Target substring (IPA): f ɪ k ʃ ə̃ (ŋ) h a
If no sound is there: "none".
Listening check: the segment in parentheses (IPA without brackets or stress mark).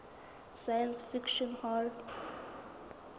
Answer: n